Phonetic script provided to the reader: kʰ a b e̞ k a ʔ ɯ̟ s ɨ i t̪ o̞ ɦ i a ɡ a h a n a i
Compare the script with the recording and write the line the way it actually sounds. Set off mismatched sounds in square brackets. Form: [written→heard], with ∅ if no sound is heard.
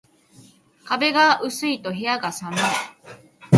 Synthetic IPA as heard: [kʰ→k] a b e̞ [k→ɡ] a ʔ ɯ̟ s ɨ i t̪ o̞ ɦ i a ɡ a [h→s] a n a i